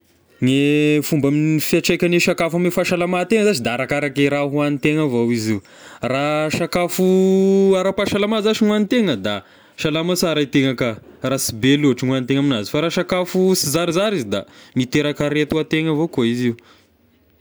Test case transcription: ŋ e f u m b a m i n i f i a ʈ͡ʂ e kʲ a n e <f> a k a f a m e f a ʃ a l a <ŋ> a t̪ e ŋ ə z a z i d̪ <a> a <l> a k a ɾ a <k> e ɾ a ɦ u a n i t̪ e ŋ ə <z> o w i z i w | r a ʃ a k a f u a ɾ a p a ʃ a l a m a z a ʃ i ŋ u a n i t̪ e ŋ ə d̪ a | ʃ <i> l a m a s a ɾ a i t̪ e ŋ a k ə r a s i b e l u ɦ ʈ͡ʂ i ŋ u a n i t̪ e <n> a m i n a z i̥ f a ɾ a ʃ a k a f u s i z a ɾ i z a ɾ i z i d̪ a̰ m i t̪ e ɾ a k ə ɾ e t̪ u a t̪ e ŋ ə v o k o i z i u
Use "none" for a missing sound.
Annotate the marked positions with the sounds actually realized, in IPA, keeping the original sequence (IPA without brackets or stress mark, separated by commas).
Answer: ʃ, m, a, ɾ, k, v, a, ŋ